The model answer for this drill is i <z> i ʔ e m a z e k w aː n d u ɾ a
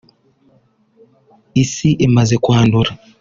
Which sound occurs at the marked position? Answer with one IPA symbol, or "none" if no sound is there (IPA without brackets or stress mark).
s